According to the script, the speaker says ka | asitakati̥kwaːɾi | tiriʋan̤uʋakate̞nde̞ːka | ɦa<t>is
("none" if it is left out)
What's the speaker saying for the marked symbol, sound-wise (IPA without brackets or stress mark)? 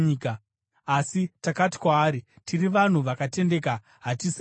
t